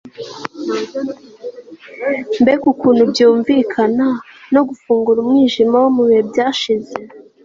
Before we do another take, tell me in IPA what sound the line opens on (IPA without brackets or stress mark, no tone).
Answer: m